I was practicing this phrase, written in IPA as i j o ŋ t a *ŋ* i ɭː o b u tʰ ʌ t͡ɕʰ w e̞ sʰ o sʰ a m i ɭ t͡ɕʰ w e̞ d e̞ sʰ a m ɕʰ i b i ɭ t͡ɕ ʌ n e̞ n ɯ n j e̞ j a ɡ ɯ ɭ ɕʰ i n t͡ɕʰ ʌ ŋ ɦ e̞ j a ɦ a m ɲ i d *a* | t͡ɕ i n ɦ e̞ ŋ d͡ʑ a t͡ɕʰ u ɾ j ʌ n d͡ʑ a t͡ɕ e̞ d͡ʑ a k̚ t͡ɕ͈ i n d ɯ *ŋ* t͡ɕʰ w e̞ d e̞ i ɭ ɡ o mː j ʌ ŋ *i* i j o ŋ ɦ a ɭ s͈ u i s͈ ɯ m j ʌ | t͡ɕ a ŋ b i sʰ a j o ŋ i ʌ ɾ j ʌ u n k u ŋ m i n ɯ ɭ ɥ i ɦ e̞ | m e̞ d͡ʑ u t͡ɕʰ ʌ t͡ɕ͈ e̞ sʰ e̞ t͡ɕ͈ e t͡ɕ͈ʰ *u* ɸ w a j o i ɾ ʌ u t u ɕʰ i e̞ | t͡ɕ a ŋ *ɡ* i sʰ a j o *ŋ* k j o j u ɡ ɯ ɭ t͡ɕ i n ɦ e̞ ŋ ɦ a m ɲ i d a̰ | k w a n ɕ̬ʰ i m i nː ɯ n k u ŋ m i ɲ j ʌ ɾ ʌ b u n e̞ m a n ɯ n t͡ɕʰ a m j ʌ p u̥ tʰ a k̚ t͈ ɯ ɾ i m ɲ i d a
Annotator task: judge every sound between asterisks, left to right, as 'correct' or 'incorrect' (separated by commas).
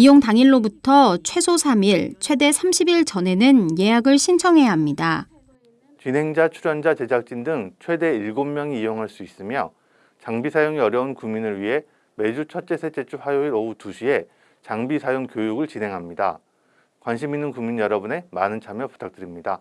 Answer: correct, correct, correct, correct, correct, incorrect, correct